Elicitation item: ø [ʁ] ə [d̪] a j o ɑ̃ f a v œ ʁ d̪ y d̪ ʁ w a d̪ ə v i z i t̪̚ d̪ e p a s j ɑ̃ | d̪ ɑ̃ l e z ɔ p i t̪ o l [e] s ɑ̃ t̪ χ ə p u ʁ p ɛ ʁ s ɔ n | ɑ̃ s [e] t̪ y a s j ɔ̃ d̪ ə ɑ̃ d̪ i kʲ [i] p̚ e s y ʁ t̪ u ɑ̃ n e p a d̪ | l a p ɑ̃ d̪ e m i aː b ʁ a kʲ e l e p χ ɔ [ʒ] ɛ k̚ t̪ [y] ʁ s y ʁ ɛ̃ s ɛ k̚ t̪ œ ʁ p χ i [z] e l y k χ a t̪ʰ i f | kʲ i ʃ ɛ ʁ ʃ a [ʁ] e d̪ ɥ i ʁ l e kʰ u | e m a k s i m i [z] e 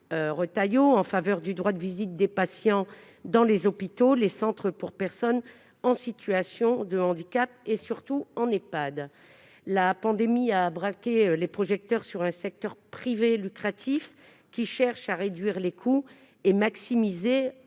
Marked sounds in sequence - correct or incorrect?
correct, incorrect, correct, incorrect, incorrect, correct, incorrect, incorrect, correct, correct

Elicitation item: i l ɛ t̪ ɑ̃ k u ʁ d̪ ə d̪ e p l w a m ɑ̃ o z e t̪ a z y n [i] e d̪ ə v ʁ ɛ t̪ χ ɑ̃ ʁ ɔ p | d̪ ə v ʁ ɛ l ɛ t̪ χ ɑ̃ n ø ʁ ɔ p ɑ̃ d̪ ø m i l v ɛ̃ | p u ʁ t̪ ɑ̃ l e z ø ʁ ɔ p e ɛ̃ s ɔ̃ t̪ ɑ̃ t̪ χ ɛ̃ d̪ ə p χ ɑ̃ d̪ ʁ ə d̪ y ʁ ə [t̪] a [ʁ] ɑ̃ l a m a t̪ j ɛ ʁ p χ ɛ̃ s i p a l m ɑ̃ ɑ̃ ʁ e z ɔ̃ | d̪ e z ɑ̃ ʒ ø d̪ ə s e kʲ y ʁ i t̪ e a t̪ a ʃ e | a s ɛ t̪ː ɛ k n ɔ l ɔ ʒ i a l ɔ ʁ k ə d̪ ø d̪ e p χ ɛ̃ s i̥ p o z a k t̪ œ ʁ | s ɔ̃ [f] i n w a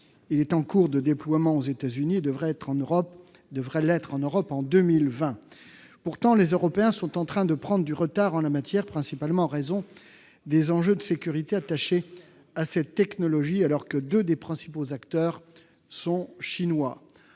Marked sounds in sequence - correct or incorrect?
correct, correct, correct, incorrect

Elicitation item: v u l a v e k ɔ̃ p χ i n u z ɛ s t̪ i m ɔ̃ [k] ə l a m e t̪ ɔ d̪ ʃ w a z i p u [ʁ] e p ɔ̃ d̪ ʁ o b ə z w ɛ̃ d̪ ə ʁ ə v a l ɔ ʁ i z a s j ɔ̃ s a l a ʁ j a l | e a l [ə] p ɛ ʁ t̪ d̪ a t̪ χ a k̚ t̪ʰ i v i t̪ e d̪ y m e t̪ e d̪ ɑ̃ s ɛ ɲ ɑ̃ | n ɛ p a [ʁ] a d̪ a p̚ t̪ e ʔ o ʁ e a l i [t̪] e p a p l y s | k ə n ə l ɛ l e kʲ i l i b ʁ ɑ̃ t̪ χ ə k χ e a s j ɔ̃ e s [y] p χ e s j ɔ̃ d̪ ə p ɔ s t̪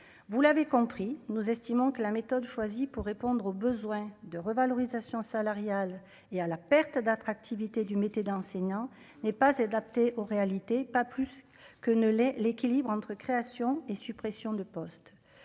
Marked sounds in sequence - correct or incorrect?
correct, incorrect, incorrect, incorrect, correct, correct

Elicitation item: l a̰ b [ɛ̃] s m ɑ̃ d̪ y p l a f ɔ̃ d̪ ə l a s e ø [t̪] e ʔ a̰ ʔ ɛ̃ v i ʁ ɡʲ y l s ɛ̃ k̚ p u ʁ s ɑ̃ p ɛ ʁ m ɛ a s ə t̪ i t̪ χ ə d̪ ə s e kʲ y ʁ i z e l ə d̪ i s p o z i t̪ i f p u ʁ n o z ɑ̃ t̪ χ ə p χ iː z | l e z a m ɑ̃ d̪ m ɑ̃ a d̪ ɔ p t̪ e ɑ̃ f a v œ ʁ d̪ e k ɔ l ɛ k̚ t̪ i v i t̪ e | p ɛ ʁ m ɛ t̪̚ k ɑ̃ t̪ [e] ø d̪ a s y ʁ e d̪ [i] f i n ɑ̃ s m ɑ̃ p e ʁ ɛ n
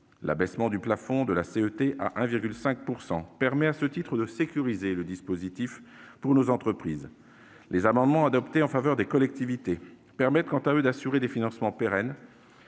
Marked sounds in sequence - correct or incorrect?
incorrect, correct, incorrect, incorrect

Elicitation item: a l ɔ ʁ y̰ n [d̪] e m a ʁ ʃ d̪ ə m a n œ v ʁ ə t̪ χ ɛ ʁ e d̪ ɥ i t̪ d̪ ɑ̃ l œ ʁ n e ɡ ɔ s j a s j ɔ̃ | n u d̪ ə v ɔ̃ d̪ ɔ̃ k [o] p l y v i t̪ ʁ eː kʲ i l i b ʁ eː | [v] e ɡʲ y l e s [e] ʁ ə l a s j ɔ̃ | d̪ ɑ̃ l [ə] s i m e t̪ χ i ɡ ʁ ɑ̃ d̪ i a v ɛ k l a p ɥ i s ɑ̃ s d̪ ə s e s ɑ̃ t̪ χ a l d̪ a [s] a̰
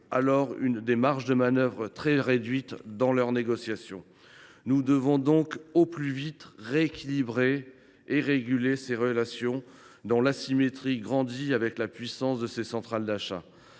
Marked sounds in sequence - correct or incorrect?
correct, correct, incorrect, correct, incorrect, incorrect

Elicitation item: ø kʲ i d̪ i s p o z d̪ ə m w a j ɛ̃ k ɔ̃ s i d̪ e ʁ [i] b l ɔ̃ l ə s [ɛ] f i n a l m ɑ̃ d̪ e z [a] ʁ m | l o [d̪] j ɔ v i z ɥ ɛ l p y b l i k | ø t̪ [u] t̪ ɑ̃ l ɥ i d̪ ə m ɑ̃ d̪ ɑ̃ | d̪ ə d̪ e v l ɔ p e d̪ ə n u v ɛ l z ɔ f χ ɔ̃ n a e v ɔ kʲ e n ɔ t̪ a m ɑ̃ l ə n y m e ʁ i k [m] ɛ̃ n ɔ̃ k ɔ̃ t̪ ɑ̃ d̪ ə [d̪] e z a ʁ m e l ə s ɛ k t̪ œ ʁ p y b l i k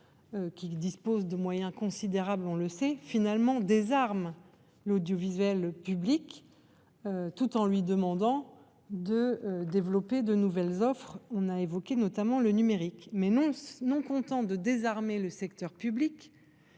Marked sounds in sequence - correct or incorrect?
incorrect, correct, correct, correct, correct, correct, correct

